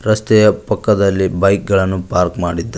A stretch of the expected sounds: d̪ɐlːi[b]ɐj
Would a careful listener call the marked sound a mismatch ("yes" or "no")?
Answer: no